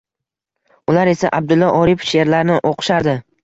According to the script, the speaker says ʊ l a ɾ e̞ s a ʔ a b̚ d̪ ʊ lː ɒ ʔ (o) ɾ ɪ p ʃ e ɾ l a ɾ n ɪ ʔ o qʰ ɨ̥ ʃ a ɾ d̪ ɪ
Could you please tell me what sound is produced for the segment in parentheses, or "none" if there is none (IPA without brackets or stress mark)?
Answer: ɒ